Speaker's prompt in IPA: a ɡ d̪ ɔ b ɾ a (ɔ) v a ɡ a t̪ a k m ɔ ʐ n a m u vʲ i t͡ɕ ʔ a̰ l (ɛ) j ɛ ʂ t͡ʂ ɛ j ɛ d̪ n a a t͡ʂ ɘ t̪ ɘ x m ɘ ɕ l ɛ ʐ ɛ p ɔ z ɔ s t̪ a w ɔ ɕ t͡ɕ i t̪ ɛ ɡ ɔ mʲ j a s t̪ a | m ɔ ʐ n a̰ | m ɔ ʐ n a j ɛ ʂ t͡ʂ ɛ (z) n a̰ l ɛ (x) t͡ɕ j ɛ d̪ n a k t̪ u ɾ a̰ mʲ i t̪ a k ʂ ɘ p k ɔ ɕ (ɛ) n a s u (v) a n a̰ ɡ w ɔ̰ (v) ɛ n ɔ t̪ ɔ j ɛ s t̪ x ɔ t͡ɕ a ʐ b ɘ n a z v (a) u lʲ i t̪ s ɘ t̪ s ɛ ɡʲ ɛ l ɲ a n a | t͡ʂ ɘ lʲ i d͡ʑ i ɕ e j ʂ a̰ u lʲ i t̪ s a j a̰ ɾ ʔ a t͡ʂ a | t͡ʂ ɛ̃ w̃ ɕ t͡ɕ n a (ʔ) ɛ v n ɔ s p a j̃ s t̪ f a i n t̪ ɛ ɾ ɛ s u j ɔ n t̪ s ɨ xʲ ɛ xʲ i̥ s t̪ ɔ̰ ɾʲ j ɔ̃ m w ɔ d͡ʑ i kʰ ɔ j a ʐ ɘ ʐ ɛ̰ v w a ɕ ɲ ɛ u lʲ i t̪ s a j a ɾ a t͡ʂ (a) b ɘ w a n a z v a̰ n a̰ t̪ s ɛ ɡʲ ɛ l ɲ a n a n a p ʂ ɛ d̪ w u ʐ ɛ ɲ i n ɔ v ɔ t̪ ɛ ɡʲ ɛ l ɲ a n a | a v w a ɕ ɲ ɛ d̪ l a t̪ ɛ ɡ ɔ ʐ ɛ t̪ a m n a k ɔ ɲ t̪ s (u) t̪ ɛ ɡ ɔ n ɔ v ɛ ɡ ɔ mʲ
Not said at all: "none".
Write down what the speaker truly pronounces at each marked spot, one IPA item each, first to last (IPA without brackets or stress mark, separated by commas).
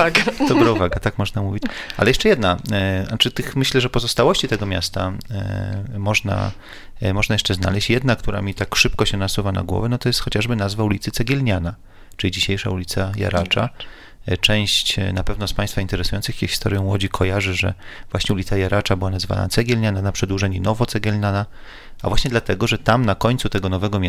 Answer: u, ɛ, z, ɕ, ɛ, v, v, a, p, a, u